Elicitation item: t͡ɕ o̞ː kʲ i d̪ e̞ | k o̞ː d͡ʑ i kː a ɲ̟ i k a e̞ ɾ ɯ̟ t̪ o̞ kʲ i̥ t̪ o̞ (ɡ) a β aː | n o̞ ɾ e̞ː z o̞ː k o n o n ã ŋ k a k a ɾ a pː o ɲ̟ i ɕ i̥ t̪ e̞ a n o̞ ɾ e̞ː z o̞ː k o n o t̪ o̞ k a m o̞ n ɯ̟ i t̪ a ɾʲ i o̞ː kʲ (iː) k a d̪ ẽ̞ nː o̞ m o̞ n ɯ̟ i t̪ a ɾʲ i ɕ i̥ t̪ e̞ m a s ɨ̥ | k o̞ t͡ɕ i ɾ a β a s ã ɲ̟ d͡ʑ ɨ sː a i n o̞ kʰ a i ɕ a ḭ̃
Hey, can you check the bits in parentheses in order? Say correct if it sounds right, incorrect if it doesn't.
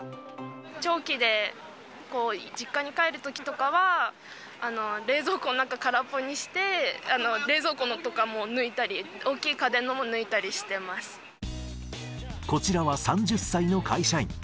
incorrect: k, correct

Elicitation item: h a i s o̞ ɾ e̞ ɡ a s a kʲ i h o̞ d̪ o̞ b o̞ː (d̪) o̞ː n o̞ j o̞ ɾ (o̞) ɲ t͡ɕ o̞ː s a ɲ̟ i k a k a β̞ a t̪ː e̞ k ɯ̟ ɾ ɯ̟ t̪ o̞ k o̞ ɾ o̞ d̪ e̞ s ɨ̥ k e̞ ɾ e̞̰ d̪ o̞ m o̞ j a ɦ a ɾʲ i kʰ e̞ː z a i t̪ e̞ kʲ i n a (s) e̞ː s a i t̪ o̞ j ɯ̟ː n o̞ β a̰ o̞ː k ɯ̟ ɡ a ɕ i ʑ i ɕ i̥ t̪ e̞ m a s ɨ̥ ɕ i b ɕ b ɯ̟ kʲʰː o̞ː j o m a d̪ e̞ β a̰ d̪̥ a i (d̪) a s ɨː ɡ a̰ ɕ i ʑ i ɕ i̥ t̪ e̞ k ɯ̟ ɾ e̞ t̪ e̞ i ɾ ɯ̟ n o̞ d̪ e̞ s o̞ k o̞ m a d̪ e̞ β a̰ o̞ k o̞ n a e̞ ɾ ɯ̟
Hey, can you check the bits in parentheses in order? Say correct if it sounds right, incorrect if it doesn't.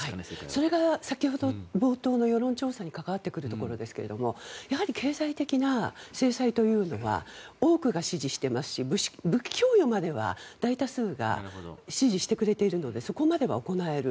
incorrect: t̪, incorrect: õ̞, correct, incorrect: t̪

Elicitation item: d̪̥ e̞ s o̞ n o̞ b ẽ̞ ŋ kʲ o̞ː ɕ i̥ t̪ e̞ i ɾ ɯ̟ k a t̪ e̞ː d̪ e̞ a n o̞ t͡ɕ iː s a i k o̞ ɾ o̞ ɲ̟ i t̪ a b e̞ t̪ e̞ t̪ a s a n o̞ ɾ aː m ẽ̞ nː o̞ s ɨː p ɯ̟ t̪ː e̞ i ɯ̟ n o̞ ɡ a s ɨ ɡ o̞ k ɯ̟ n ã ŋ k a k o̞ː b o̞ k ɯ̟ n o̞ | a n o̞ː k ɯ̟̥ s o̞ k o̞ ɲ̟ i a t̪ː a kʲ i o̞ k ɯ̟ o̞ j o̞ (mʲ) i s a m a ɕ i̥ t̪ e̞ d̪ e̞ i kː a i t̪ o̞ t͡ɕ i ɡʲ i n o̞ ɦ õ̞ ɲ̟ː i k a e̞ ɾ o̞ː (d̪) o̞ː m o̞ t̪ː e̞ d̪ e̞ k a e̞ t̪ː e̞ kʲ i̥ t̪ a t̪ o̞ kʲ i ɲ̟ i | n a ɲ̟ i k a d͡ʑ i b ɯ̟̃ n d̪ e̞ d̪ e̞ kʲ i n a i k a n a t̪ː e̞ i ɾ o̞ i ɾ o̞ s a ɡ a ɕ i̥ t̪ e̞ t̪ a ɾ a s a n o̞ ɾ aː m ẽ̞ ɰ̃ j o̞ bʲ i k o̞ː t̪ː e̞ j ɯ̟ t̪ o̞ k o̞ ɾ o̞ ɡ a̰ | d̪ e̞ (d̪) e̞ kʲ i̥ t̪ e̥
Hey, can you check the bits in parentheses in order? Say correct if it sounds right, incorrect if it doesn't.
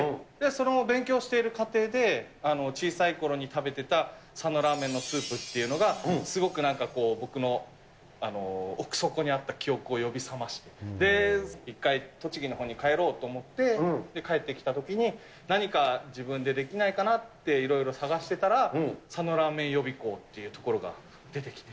incorrect: bʲ, incorrect: t̪, incorrect: t̪

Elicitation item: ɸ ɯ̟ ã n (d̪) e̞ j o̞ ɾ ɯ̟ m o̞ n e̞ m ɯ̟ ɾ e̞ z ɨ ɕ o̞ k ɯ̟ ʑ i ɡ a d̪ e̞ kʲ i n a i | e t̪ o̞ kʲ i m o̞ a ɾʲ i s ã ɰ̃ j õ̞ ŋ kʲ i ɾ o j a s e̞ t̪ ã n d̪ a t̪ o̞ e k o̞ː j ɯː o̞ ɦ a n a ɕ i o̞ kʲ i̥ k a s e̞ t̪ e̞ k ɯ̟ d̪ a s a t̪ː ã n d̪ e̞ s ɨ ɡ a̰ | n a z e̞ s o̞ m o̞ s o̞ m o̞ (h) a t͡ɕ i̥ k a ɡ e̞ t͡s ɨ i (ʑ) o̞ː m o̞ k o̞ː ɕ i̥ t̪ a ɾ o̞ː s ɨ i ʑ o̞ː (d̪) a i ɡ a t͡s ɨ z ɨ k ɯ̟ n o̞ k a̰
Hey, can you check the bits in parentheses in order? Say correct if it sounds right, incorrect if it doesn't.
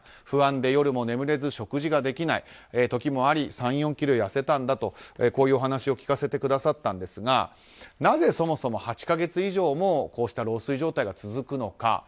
correct, correct, correct, incorrect: t̪

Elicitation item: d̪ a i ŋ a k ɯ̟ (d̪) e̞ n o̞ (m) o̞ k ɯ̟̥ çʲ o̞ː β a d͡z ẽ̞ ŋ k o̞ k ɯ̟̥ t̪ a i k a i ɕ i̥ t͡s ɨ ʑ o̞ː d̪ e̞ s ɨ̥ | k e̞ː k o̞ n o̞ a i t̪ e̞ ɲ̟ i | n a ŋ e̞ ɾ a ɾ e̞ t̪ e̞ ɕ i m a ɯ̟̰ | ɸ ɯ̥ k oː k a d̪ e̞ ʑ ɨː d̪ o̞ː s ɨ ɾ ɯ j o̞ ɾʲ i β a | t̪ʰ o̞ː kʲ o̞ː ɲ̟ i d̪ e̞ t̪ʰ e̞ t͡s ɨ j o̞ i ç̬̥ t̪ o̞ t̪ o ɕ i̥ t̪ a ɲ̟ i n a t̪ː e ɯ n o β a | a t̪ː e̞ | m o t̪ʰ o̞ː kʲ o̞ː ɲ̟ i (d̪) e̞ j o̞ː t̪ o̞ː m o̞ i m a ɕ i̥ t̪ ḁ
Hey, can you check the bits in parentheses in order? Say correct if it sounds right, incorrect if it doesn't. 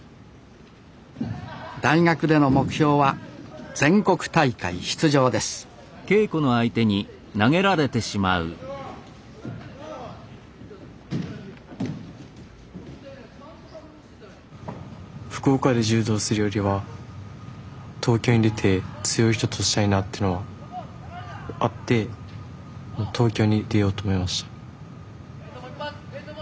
correct, correct, correct

